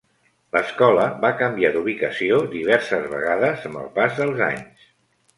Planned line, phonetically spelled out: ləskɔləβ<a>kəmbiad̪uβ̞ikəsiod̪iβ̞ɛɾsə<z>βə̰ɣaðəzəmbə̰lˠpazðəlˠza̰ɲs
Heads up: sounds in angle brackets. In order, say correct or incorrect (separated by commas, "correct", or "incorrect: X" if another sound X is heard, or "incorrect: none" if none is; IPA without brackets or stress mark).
correct, correct